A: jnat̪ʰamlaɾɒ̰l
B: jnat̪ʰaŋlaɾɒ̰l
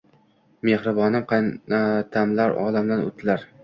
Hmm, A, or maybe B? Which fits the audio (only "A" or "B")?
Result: A